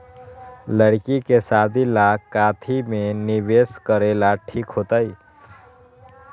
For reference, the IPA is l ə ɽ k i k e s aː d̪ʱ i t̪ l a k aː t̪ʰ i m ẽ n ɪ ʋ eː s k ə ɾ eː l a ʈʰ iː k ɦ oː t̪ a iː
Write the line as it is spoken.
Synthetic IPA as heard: l ə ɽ k i k e s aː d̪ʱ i l a k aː t̪ʰ i m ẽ n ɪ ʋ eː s k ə ɾ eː l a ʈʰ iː k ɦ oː t̪ a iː